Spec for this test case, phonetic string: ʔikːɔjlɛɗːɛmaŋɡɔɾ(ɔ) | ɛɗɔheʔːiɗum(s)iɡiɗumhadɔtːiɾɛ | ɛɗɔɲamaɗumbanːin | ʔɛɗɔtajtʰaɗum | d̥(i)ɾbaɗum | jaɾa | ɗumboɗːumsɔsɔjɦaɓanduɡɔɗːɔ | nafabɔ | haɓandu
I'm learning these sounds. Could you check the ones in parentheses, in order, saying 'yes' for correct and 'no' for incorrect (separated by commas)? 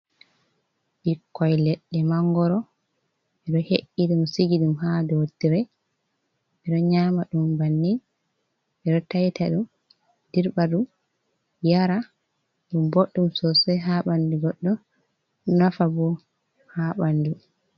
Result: yes, yes, yes